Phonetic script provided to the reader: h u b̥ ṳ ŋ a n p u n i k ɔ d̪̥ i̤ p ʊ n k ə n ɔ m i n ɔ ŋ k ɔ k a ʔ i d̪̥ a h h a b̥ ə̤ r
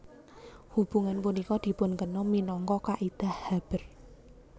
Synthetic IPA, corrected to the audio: h u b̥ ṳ ŋ a n p u n i k ɔ d̪̥ i̤ p ʊ n k ə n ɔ m i n ɔ ŋ k ɔ k a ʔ i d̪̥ a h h a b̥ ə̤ r